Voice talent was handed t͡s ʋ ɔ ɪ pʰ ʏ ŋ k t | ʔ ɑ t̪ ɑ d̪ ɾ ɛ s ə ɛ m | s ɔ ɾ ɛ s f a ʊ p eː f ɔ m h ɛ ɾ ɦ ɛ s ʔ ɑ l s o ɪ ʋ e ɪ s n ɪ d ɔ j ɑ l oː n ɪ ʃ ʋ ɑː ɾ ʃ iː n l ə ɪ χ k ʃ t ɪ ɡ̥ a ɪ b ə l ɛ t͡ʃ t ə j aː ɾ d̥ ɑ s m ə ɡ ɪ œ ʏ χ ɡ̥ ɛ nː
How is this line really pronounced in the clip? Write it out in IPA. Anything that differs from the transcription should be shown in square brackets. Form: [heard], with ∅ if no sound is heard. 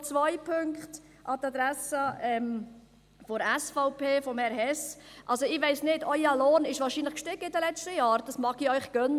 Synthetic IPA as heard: t͡s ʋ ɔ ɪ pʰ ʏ ŋ k t | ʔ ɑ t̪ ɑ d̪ ɾ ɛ s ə ɛ m | [f] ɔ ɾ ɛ s f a ʊ p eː f ɔ m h ɛ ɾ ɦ ɛ s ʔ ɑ l s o ɪ ʋ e ɪ s n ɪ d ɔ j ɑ l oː n ɪ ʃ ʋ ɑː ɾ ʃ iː n l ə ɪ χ k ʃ t ɪ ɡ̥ [ə] ɪ [d] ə l ɛ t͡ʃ t ə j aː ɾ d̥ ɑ s m [ɑ] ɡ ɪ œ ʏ χ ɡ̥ [œ] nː

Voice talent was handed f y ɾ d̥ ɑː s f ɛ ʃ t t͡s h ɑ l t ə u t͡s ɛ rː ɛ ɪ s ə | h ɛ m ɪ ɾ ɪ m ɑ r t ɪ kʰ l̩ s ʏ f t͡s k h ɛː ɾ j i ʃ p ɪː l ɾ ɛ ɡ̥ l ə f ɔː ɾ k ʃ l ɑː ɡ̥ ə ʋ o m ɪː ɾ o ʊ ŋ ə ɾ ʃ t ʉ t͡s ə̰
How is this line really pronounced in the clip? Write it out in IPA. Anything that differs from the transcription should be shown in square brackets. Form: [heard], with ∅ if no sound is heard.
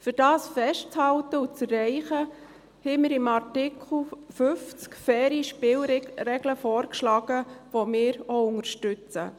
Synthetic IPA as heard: f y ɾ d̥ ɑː s f ɛ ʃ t t͡s h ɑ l t ə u t͡s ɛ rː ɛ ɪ [χ] ə | h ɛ m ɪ ɾ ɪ m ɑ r t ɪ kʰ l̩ [f] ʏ f t͡s k [f] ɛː ɾ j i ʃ p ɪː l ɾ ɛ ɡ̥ l ə f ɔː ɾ k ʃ l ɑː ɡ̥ ə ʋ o m ɪː ɾ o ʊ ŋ ə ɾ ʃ t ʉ t͡s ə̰

